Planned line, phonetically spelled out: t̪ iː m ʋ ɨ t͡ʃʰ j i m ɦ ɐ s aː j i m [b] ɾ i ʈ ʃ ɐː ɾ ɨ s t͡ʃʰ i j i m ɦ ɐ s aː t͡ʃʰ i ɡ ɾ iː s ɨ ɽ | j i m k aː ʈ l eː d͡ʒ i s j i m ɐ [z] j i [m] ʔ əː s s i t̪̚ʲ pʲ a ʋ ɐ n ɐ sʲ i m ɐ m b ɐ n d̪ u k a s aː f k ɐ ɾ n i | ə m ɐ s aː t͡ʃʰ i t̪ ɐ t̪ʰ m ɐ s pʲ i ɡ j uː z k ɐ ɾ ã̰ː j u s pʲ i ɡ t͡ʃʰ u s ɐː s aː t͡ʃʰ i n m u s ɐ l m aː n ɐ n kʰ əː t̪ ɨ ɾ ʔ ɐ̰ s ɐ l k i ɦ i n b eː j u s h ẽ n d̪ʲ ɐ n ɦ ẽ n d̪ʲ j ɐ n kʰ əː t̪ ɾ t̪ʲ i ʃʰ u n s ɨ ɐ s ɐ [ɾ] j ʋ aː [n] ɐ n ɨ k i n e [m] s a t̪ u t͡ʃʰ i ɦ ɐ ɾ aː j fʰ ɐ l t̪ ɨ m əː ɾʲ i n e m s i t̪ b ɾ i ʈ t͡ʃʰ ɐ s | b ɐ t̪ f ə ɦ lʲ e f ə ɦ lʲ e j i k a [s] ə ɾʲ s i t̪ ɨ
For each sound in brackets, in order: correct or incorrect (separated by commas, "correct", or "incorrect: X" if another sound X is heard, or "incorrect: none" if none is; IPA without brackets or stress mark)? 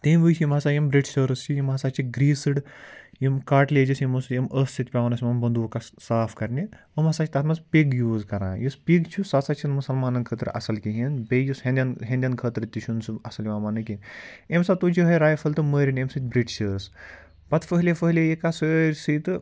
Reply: correct, incorrect: s, correct, incorrect: l, incorrect: m, correct, correct